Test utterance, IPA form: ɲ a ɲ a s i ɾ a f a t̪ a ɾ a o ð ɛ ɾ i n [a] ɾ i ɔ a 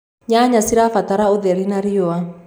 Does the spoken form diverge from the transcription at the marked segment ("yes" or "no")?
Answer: no